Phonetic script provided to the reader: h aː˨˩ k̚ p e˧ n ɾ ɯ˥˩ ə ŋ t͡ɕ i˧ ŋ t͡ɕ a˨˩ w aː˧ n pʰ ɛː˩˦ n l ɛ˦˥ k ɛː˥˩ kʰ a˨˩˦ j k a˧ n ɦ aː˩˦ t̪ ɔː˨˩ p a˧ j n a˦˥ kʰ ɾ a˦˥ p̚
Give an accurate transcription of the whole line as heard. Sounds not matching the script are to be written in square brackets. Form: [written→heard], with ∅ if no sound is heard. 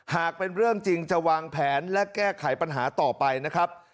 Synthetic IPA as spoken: h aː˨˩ k̚ p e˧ n ɾ ɯ˥˩ ə ŋ t͡ɕ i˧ ŋ t͡ɕ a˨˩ w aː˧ [n→ŋ] pʰ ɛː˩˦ n l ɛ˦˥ k ɛː˥˩ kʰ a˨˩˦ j [k→p] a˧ n ɦ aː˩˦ t̪ ɔː˨˩ p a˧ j n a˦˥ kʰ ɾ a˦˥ p̚